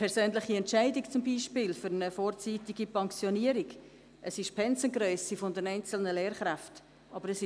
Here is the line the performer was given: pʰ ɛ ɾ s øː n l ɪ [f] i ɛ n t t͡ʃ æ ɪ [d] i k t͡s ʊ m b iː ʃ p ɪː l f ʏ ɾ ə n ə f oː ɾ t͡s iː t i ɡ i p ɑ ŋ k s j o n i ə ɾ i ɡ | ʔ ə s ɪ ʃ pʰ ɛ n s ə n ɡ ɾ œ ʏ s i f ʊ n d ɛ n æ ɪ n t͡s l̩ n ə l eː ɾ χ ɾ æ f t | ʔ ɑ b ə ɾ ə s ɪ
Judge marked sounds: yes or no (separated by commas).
no, yes